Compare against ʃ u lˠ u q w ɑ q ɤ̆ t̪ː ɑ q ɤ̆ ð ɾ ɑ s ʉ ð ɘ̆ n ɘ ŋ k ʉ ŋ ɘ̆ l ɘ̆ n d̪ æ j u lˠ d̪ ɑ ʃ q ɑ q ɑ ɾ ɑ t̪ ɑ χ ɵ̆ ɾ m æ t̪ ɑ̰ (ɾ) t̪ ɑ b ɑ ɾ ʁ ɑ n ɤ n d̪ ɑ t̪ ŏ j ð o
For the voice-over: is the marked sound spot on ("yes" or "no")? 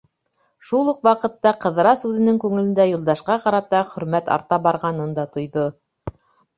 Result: yes